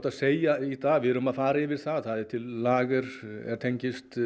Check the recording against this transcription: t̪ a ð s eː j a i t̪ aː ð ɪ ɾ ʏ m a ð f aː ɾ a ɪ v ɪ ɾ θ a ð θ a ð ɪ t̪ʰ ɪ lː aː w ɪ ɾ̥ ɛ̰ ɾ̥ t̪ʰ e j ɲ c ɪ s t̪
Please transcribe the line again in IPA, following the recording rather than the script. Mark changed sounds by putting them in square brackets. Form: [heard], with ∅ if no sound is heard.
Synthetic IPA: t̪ a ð s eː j a i t̪ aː [v] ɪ ɾ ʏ m a ð f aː ɾ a ɪ v ɪ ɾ θ a ð θ a ð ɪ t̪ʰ ɪ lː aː [ɣ] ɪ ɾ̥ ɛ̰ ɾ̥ t̪ʰ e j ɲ c ɪ s t̪